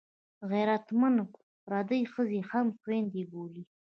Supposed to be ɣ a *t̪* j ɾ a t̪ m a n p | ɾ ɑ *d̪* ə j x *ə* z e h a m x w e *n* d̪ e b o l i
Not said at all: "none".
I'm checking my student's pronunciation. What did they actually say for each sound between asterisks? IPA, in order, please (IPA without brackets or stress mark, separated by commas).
none, d̪, ə, n